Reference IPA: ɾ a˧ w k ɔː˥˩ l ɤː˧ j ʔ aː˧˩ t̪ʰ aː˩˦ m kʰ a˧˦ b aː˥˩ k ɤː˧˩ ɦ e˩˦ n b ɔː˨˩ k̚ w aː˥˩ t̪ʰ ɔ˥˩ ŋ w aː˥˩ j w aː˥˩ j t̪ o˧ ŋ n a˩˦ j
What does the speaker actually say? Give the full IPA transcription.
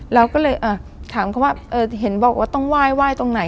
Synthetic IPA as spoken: ɾ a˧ w k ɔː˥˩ l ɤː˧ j ʔ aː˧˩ t̪ʰ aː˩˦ m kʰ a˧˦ w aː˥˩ ʔ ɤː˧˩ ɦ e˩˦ n b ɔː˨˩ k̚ w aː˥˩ t̪ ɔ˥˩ ŋ w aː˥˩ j w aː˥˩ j t̪ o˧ ŋ n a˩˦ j